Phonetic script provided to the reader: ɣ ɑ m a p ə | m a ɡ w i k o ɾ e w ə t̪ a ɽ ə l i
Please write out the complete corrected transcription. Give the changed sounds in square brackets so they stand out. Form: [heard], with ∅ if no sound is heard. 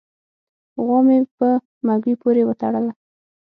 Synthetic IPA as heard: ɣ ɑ m [e] p ə | m a ɡ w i [p] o ɾ e w ə t̪ a ɽ ə l [a]